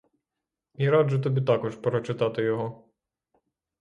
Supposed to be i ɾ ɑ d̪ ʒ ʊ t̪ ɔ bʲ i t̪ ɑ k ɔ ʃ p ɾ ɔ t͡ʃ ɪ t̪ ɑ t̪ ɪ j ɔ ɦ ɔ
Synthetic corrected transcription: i ɾ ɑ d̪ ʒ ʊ t̪ ɔ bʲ i t̪ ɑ k ɔ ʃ p ɾ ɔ t͡ʃ ɪ t̪ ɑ t̪ ɪ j ɔ ɦ ɔ